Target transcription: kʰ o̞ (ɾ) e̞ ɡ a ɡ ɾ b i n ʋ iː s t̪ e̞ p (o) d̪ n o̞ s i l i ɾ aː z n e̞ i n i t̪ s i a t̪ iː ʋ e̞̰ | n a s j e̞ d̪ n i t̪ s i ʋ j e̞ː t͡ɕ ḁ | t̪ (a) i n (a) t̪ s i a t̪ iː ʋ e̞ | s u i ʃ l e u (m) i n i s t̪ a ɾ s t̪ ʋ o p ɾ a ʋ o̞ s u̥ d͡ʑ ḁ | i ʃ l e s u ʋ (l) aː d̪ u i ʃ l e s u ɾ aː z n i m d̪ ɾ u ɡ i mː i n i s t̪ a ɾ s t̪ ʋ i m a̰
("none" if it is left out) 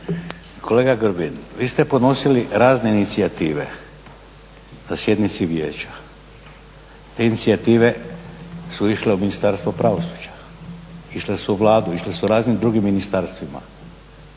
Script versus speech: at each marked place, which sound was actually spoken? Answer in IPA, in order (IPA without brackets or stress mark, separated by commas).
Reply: l, o, e, i, m, l